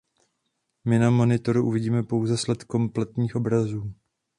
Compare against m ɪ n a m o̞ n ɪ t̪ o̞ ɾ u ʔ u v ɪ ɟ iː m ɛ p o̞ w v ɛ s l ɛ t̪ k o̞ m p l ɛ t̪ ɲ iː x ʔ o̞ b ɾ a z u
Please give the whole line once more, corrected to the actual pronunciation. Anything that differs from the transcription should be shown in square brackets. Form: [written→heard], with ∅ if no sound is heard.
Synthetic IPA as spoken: m ɪ n a m o̞ n ɪ t̪ o̞ ɾ u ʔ u v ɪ ɟ iː m ɛ p o̞ w [v→z] ɛ s l ɛ t̪ k o̞ m p l ɛ t̪ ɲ iː x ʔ o̞ b ɾ a z [u→uː]